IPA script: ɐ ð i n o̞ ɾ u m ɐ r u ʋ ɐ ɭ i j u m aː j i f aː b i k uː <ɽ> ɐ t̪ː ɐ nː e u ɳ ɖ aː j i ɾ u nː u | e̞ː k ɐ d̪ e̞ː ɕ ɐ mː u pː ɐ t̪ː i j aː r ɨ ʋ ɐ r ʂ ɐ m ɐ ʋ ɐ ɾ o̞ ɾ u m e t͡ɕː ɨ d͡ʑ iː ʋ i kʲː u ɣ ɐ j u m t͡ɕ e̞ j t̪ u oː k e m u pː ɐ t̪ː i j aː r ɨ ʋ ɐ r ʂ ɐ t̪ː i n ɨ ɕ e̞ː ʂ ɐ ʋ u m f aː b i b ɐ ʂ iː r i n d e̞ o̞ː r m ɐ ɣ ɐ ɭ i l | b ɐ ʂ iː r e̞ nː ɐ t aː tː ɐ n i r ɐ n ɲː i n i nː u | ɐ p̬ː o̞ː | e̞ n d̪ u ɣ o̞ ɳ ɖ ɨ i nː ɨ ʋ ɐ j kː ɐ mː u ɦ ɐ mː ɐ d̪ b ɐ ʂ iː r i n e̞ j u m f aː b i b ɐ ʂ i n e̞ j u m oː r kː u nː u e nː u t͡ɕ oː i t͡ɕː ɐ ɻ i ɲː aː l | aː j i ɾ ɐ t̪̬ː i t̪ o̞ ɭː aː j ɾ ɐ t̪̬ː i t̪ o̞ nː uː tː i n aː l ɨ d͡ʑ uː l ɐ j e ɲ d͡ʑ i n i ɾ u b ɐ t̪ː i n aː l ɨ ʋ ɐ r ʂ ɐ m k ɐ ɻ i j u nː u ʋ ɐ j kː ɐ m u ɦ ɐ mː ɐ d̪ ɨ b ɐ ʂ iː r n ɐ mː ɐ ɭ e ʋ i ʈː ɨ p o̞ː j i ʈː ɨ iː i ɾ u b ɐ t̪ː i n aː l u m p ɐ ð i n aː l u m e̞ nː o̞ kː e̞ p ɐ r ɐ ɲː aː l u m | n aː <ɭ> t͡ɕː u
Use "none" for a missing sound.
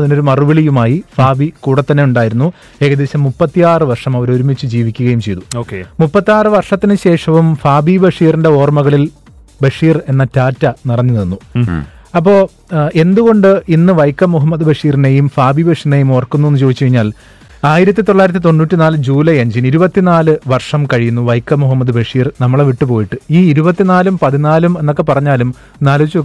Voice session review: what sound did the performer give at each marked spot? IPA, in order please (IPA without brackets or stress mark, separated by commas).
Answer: ɽ, l